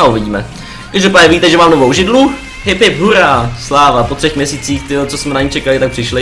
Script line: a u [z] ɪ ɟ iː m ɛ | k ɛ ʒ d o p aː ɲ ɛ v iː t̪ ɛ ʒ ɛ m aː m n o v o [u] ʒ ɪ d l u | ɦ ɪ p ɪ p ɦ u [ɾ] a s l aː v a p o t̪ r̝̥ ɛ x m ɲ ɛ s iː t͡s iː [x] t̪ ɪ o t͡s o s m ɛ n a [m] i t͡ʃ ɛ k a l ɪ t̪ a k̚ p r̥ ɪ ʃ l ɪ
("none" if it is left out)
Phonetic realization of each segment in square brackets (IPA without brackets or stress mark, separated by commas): v, w, ɾ, x, ɲ